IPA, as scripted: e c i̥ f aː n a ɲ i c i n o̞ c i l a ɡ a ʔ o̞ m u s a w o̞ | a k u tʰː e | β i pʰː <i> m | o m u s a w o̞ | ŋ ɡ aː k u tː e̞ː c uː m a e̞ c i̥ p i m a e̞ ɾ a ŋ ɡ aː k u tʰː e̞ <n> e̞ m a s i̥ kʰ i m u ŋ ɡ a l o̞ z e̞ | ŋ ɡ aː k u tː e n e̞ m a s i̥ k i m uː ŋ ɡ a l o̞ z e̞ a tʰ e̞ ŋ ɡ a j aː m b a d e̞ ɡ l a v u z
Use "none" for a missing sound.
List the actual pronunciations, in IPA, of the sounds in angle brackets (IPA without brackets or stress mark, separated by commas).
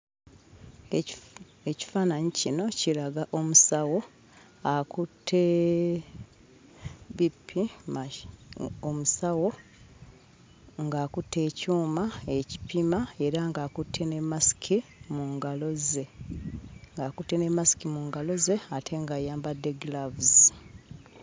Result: i, n